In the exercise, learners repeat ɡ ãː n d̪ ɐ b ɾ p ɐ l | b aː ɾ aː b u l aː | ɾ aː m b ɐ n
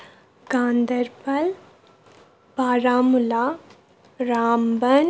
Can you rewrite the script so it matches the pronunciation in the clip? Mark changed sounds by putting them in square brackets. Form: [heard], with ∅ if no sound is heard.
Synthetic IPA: ɡ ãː n d̪ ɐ [∅] ɾ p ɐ l | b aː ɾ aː [m] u l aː | ɾ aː m b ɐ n